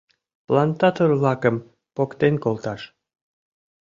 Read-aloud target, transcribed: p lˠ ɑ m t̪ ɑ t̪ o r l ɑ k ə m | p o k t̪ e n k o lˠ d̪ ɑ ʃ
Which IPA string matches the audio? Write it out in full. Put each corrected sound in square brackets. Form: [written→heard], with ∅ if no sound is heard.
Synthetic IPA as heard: p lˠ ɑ [m→n] t̪ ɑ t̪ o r l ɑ k ə m | p o k t̪ e n k o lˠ [d̪→t̪] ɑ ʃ

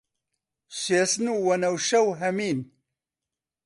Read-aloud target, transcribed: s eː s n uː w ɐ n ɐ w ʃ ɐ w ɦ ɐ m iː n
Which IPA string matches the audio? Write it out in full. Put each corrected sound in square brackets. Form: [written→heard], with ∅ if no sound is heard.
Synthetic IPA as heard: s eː s n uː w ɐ n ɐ w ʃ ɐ w ɦ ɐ m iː n

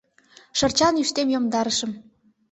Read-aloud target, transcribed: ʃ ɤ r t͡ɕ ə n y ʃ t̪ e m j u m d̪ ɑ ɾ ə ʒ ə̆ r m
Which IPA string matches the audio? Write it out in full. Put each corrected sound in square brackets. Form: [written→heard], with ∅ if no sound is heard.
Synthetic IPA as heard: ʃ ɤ r t͡ɕ [ə→ɑ] n y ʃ t̪ e m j [u→o] m d̪ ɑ ɾ ə [ʒ→ʃ] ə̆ [r→∅] m

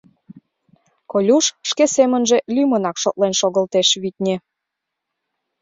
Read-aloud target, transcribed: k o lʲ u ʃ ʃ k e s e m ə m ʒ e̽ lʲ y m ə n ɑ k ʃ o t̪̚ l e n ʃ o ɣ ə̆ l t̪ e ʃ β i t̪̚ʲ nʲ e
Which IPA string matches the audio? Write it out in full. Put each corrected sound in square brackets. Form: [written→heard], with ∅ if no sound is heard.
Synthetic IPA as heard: k o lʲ u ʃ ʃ k e s e m ə [m→n] ʒ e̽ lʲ y m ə n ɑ k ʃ o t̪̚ l e n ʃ o ɣ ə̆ l t̪ e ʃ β i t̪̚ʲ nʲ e

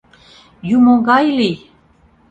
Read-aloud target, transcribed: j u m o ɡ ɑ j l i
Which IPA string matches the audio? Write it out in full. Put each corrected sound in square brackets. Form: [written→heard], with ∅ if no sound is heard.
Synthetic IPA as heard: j u m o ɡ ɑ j l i

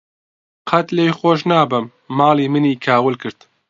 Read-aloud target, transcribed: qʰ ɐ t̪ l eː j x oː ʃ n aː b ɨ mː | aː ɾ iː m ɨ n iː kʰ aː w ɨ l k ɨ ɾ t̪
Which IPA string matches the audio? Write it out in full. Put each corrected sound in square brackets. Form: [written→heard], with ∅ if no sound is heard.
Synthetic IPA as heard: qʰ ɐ t̪ l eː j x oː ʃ n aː b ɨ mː | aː [ɾ→l] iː m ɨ n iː kʰ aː w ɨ l k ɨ ɾ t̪

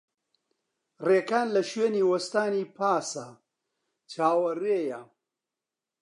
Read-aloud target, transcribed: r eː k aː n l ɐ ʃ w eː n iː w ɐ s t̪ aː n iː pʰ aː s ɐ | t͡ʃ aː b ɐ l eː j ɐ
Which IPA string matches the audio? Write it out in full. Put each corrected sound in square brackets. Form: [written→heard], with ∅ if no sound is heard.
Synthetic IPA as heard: r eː k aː n l ɐ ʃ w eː n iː w ɐ s t̪ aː n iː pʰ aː s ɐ | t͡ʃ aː [b→w] ɐ [l→r] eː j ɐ

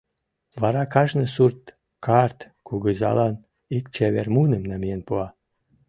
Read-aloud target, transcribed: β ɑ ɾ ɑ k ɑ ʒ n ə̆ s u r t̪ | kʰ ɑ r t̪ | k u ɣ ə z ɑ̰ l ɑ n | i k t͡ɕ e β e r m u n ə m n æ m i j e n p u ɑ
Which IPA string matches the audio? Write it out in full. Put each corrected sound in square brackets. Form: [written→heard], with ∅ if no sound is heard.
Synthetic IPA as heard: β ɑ ɾ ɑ k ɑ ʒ n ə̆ s u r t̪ | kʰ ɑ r t̪ | k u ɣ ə z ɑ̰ l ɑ n | i k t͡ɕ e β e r m u n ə m n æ m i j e n p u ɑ

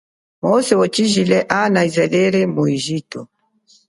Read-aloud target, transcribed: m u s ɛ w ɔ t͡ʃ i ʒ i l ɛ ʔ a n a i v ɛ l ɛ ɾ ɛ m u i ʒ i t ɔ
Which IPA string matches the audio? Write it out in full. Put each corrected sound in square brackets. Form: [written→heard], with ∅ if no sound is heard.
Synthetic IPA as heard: m [u→ɔ] s ɛ w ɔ t͡ʃ i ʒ i l ɛ ʔ a n a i [v→z] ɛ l ɛ ɾ ɛ m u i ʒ i t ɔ

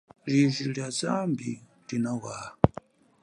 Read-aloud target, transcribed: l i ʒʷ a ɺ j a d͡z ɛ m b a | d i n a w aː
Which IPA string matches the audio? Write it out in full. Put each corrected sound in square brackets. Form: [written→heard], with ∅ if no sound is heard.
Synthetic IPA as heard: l i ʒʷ [a→i] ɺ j a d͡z [ɛ→a] m b [a→i] | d i n a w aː

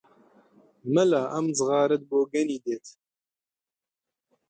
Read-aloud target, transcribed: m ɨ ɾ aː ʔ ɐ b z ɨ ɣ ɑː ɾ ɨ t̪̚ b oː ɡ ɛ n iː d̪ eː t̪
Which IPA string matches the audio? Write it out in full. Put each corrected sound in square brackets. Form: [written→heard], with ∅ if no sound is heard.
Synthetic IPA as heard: m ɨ [ɾ→l] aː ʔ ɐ [b→m] z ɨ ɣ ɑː ɾ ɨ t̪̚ b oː ɡ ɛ n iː d̪ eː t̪

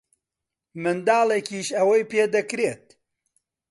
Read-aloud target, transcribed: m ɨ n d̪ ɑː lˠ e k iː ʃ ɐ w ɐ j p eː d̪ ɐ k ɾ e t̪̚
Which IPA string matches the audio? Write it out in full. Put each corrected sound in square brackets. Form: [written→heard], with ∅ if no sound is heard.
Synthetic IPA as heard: m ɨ n d̪ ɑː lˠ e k iː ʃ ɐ w ɐ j p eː d̪ ɐ k ɾ e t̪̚

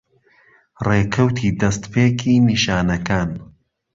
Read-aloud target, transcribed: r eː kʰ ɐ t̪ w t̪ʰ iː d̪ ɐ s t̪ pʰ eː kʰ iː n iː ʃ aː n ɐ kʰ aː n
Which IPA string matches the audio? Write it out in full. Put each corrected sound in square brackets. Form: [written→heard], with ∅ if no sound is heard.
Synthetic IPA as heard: r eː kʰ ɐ [t̪→∅] w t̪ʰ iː d̪ ɐ s t̪ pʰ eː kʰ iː n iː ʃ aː n ɐ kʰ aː n

